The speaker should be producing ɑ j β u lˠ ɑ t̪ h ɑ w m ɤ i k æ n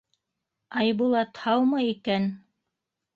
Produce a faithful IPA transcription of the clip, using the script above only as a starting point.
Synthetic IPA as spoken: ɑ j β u lˠ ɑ t̪ h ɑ w m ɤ i k æ n